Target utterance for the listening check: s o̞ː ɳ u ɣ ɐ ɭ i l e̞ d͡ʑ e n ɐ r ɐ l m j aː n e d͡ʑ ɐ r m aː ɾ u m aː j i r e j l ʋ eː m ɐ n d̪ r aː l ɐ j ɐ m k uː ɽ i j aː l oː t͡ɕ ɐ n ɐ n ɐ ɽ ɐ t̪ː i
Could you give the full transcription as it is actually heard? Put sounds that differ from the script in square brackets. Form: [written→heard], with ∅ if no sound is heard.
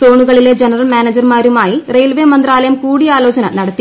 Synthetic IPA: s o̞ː ɳ u ɣ ɐ ɭ i l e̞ d͡ʑ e n ɐ r ɐ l m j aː n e d͡ʑ ɐ r m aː ɾ u m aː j i r e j l ʋ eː m ɐ n d̪ r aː l ɐ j ɐ m k uː ɽ i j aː l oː t͡ɕ ɐ n ɐ n ɐ ɽ ɐ t̪ː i